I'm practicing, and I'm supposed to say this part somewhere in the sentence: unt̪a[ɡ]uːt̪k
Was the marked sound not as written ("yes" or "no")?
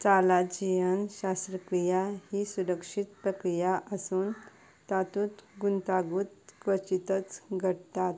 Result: no